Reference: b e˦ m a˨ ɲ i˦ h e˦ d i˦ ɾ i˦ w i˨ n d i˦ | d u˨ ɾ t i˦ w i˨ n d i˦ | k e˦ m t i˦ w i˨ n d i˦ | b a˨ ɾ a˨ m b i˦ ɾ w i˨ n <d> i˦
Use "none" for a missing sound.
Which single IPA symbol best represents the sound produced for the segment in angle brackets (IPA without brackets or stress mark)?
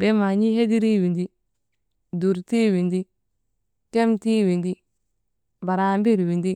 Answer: d